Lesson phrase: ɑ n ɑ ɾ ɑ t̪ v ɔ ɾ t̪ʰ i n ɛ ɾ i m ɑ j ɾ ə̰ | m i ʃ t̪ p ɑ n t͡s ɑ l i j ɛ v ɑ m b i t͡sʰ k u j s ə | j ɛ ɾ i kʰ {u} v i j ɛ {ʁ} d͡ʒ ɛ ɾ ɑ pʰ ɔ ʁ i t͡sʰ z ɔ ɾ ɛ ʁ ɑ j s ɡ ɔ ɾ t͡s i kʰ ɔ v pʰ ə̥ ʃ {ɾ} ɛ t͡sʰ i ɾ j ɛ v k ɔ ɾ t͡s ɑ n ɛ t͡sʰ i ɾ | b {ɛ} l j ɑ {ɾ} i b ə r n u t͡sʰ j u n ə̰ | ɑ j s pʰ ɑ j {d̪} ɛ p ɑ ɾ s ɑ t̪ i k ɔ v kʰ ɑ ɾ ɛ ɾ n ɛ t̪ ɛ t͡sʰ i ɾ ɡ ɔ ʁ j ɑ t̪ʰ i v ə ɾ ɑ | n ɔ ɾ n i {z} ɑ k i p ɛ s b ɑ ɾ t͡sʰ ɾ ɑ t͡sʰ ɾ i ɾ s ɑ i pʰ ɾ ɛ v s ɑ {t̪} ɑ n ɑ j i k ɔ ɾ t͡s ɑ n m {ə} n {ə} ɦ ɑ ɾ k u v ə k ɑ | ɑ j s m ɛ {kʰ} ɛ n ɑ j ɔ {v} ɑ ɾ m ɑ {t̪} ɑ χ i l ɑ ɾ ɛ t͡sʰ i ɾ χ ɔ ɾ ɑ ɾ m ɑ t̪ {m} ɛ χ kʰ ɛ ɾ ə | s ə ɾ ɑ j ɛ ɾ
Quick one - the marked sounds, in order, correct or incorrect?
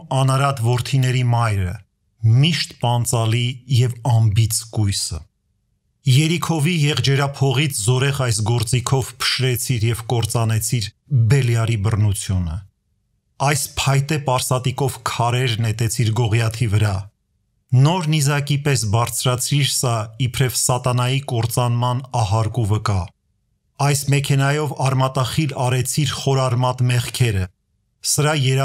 incorrect: ɔ, correct, correct, correct, correct, incorrect: t̪, correct, correct, incorrect: ɑ, incorrect: ɑ, correct, correct, correct, correct

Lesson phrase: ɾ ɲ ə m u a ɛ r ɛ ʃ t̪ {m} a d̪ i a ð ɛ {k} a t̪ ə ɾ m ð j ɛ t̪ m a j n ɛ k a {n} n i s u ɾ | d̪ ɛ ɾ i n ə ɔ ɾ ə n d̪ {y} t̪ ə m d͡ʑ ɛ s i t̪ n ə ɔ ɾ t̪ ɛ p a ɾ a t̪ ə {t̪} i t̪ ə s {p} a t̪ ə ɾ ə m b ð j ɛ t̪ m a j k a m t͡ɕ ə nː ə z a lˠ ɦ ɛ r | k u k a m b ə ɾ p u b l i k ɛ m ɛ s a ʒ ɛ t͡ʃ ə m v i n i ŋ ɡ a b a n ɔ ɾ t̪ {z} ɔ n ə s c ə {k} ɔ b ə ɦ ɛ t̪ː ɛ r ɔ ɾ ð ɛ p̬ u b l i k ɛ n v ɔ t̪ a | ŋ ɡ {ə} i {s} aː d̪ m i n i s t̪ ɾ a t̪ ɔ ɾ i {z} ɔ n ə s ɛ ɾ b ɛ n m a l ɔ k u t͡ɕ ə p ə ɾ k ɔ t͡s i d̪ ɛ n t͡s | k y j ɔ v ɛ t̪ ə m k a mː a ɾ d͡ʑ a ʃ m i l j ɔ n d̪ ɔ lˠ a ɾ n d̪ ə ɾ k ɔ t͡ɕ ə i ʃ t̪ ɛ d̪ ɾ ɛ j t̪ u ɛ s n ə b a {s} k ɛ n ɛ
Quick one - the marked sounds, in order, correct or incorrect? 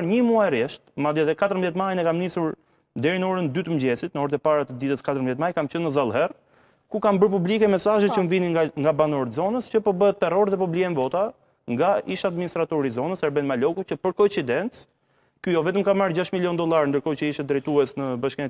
correct, correct, incorrect: m, correct, incorrect: d̪, incorrect: k, correct, incorrect: p, incorrect: a, incorrect: ʃ, correct, incorrect: ʃ

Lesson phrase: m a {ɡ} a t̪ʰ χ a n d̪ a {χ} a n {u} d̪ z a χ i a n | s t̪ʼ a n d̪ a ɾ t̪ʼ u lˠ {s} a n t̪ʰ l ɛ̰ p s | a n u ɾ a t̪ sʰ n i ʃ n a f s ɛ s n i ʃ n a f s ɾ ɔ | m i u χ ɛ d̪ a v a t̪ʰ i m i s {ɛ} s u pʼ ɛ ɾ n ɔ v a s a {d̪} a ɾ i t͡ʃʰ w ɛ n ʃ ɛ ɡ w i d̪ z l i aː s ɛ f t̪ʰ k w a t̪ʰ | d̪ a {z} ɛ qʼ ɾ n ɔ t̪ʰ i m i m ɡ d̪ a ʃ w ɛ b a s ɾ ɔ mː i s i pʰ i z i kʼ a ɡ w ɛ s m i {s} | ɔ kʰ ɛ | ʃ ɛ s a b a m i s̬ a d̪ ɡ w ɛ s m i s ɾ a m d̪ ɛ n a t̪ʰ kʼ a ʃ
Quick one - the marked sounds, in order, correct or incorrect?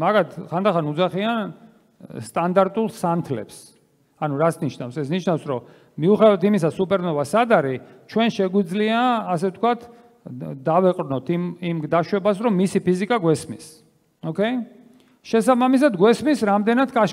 correct, correct, correct, correct, incorrect: a, correct, incorrect: v, correct

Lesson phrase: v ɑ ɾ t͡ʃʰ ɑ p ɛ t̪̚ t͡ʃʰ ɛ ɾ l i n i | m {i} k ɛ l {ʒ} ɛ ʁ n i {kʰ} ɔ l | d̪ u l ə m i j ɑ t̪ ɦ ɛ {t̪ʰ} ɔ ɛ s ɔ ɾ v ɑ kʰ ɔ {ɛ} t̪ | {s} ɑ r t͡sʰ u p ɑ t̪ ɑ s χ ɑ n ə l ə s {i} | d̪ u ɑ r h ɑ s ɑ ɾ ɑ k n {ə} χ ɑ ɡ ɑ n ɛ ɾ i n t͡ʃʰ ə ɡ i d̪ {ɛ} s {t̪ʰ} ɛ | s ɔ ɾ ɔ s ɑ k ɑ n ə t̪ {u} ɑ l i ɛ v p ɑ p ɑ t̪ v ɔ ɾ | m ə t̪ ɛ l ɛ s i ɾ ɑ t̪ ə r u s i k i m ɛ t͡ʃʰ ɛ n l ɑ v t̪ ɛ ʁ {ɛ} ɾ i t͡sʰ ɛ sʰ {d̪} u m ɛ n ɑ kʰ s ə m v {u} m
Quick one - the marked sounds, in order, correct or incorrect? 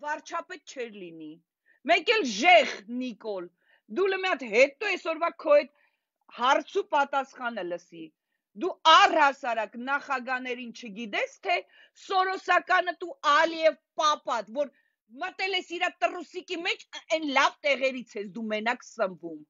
incorrect: ɛ, correct, incorrect: k, incorrect: t̪, correct, incorrect: h, correct, incorrect: ɑ, correct, correct, correct, correct, correct, correct

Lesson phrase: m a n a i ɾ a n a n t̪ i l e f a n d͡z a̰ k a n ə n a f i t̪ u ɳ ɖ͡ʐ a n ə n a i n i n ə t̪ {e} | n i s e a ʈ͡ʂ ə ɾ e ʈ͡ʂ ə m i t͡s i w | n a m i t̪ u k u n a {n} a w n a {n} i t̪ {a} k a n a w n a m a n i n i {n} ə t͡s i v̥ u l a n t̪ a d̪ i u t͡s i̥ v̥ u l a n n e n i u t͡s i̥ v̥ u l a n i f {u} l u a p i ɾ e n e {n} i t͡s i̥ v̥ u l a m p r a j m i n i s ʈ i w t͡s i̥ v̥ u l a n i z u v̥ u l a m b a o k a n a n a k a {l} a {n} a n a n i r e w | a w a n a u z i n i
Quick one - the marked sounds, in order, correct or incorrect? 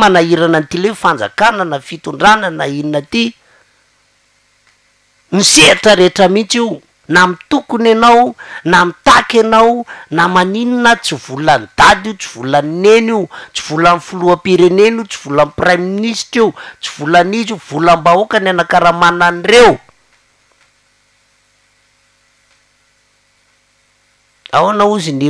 incorrect: i, correct, incorrect: m, correct, correct, correct, correct, incorrect: ɾ, incorrect: m

